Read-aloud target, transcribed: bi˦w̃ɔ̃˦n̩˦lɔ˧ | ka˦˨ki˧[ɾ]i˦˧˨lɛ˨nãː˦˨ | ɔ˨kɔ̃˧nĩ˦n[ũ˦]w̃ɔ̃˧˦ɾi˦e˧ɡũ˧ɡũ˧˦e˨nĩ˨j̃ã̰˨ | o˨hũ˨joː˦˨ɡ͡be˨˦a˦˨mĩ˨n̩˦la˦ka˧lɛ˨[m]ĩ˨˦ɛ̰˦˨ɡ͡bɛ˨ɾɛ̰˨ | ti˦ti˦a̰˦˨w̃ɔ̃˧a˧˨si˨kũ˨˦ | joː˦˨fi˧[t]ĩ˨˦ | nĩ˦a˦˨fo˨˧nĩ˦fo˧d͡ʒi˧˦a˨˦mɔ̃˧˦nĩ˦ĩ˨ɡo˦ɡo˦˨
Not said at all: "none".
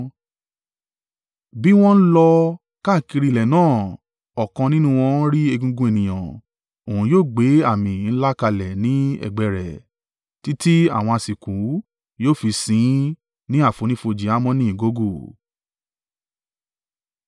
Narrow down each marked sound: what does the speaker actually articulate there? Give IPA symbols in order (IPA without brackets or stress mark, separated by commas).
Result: ɾ, ũ˦, n, s